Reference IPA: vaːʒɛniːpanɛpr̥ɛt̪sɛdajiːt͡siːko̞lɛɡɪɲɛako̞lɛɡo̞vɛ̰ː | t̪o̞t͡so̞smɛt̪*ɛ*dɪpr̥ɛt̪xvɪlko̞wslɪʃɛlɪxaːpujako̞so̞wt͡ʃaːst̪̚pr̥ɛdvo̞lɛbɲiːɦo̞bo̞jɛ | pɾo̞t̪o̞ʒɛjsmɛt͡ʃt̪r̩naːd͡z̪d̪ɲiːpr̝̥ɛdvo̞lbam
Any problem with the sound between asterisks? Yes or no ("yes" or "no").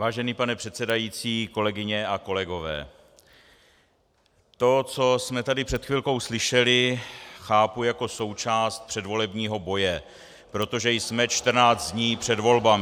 yes